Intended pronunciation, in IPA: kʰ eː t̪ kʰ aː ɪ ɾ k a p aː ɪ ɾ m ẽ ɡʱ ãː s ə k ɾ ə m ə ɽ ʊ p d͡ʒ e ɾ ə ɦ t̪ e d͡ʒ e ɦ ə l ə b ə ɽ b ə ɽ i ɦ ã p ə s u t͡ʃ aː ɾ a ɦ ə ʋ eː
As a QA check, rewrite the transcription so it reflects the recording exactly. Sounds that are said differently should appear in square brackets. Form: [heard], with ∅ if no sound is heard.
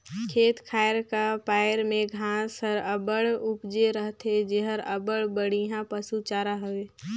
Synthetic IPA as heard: kʰ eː t̪ kʰ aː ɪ ɾ k a p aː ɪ ɾ m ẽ ɡʱ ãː s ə [∅] ɾ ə [b] ə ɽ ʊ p d͡ʒ e ɾ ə ɦ t̪ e d͡ʒ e ɦ ə [ɾ] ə b ə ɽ b ə ɽ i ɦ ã p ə s u t͡ʃ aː ɾ a ɦ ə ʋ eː